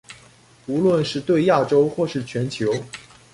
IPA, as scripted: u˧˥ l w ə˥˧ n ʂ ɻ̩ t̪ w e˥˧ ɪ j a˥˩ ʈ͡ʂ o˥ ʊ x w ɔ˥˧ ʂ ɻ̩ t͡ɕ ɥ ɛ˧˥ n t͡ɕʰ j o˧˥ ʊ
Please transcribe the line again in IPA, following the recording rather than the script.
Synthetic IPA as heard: u˧˥ l w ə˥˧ n ʂ ɻ̩ t̪ w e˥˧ ɪ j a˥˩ ʈ͡ʂ o˥ ʊ x w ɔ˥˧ ʂ ɻ̩ t͡ɕʰ ɥ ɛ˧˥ n t͡ɕʰ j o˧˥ ʊ